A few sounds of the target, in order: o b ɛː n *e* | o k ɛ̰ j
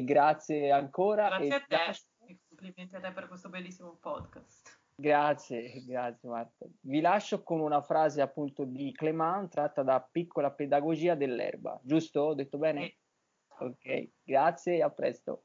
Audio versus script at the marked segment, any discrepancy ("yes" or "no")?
no